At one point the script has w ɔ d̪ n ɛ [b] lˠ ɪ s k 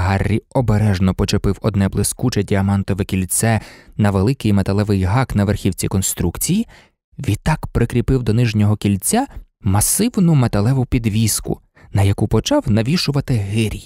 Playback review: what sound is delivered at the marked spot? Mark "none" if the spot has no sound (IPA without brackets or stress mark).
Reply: b